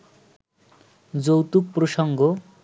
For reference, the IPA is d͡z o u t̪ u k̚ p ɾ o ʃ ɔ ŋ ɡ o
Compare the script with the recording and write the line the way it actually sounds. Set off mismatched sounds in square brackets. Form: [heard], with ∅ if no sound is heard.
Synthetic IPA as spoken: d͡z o [w] t̪ u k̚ p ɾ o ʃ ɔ ŋ ɡ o